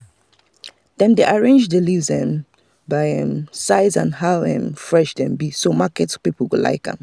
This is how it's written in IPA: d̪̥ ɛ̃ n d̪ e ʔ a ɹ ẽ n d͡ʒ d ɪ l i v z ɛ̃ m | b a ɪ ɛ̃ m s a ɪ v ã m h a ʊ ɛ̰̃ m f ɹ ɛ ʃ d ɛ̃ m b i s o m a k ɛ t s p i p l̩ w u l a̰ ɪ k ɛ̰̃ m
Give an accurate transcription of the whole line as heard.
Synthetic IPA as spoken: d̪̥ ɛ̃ n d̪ e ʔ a ɹ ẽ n d͡ʒ d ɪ l i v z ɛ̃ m | b a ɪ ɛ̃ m s a ɪ z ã n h a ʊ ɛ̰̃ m f ɹ ɛ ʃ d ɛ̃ m b i s o m a k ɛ t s p i p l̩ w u l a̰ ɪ k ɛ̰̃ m